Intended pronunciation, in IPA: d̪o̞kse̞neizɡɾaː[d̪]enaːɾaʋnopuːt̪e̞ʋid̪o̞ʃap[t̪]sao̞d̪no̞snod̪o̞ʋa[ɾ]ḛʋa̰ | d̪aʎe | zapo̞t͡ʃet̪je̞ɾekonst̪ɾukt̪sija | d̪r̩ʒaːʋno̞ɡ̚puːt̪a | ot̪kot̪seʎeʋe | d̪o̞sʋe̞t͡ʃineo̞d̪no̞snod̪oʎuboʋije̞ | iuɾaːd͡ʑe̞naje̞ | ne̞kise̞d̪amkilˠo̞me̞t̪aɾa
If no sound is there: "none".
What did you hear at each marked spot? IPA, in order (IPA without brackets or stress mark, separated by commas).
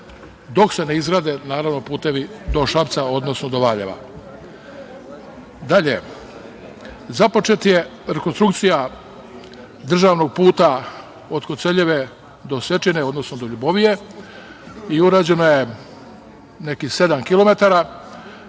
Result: d̪, t̪, ʎ